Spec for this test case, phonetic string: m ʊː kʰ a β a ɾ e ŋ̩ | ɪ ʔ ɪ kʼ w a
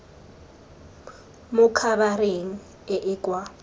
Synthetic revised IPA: m ʊ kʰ a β a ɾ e ŋ̩ | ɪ ʔ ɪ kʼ w a